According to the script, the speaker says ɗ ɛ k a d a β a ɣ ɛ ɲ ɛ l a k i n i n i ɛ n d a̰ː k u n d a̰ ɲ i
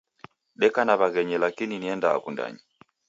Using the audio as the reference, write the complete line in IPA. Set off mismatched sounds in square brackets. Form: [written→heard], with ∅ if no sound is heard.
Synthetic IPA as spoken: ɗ ɛ k a [d→n] a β a ɣ ɛ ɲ ɛ l a k i n i n i ɛ n d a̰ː k u n d a̰ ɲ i